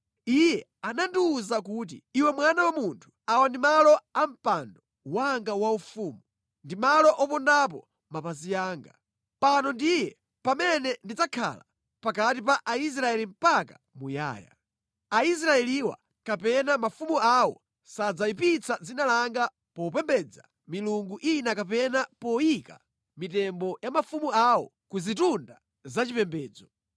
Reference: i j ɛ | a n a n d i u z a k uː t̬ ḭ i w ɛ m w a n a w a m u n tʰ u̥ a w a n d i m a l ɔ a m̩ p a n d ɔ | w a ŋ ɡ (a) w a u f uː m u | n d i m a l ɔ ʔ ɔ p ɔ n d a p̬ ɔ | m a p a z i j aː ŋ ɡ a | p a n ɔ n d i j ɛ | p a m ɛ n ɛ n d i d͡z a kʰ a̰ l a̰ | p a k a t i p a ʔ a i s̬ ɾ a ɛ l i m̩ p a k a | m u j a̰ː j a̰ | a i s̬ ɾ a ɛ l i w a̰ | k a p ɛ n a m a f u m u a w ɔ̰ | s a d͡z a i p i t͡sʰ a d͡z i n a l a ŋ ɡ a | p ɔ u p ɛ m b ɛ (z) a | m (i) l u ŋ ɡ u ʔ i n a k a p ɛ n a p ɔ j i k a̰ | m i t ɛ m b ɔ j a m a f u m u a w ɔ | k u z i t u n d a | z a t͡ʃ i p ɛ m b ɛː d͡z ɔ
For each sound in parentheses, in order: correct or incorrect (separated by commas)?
correct, incorrect, correct